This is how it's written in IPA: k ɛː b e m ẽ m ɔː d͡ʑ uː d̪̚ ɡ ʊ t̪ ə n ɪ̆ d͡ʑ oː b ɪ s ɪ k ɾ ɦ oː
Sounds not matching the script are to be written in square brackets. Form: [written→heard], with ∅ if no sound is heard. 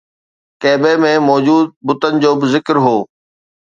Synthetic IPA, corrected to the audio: k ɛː b e m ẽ m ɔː d͡ʑ uː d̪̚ [ɡ→b] ʊ t̪ ə n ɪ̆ d͡ʑ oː b ɪ [s→z] ɪ k ɾ ɦ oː